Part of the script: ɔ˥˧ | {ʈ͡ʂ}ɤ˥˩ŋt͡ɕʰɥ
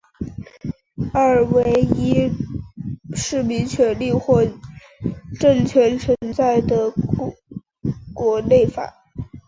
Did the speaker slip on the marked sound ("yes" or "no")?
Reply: no